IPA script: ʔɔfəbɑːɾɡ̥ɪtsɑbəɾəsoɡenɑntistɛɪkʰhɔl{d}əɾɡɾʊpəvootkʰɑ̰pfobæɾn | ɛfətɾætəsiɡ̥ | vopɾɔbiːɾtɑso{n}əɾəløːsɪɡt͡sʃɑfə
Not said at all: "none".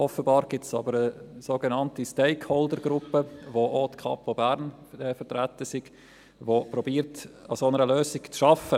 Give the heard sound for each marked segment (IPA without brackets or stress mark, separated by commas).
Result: d, n